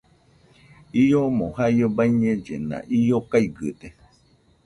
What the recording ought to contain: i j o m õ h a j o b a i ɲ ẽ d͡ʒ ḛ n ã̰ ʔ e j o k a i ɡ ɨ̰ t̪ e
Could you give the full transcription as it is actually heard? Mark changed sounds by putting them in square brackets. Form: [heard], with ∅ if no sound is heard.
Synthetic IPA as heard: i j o m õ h a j o b a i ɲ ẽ d͡ʒ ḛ n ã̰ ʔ [i] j o k a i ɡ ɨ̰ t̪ e